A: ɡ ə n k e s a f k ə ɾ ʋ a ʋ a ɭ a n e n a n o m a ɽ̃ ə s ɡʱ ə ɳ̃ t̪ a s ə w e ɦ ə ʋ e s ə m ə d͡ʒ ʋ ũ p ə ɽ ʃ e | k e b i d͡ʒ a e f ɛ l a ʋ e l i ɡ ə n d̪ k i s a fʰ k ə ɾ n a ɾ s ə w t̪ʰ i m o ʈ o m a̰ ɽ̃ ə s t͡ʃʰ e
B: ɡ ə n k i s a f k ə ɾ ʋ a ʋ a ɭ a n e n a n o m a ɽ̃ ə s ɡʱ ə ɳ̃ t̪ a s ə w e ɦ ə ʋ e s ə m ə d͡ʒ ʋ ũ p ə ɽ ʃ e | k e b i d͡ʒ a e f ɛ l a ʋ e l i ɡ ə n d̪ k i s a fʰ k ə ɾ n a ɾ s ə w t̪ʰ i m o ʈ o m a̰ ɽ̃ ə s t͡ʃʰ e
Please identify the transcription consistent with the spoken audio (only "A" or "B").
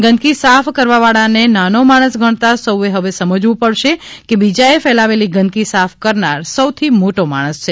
B